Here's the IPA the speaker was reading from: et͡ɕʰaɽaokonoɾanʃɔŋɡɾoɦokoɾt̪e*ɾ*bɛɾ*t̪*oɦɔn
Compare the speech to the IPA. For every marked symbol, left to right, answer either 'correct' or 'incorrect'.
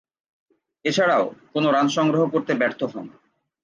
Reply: incorrect: none, incorrect: t̪ʰ

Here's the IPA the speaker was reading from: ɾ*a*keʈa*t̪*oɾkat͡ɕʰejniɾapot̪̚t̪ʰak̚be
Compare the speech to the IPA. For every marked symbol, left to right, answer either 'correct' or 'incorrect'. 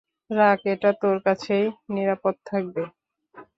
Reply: correct, correct

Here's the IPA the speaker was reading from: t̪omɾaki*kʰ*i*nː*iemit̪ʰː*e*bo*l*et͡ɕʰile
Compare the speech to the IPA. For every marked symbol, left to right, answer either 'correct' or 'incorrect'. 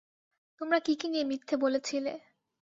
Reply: incorrect: k, incorrect: n, correct, correct

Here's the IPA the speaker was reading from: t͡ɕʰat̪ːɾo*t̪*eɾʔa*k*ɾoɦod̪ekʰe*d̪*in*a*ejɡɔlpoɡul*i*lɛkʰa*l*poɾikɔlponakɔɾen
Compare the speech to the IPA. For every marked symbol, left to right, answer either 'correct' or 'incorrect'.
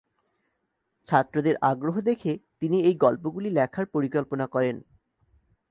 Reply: incorrect: d̪, incorrect: ɡ, incorrect: t̪, incorrect: i, correct, incorrect: ɾ

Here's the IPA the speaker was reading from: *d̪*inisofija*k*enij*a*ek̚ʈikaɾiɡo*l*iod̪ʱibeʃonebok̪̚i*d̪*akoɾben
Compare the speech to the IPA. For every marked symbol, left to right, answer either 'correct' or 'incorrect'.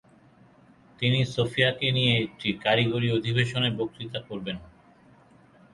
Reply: incorrect: t̪, correct, incorrect: e, incorrect: ɾ, incorrect: t̪

